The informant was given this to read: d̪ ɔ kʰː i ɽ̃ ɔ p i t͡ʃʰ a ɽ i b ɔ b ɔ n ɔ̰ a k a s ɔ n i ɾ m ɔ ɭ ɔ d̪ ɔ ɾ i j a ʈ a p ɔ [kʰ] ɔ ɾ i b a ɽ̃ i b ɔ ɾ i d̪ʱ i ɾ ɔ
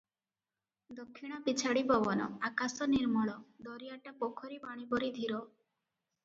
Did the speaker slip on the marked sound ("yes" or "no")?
no